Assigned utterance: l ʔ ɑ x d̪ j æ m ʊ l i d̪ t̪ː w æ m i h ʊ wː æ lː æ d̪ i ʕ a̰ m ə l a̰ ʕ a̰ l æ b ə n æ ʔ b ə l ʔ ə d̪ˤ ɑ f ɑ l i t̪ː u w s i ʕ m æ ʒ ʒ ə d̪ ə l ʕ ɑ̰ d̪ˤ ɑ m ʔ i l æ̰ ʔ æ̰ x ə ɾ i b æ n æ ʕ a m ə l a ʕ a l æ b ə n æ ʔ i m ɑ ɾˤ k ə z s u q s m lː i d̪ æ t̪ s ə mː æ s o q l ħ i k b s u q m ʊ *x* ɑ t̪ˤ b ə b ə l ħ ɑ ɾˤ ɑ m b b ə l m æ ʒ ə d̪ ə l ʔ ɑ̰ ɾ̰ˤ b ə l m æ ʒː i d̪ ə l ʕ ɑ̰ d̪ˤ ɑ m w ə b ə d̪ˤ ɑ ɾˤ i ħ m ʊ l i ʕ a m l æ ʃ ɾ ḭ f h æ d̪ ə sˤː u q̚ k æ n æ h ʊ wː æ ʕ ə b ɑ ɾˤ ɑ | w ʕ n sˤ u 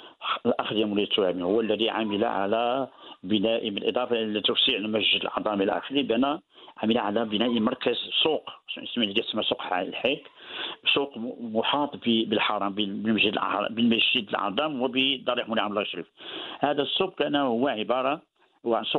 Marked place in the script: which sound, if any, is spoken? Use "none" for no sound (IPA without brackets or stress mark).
ħ